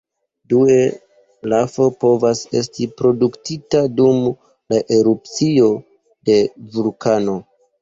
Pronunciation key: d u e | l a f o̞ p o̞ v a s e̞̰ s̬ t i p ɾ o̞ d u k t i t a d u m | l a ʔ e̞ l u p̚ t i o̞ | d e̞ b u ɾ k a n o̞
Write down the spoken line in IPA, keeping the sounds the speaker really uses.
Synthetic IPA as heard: d u e | l a f o̞ p o̞ v a s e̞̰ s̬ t i p ɾ o̞ d u k t i t a d u m | l a ʔ e̞ ɾ u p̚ t͡s i o̞ | d e̞ v u l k a n o̞